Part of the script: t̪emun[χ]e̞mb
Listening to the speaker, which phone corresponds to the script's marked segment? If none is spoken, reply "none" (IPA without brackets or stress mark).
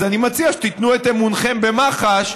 χ